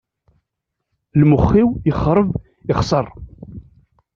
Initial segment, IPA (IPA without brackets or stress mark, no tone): l